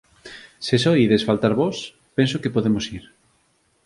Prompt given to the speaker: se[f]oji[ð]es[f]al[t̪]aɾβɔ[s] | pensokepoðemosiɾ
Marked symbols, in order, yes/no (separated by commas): no, yes, yes, yes, yes